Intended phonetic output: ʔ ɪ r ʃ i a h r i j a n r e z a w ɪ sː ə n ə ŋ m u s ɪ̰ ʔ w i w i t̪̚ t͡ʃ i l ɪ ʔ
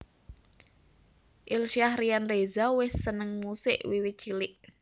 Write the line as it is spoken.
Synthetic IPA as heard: ʔ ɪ l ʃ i a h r i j a n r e z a w ɪ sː ə n ə ŋ m u s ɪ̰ ʔ w i w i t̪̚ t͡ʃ i l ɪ ʔ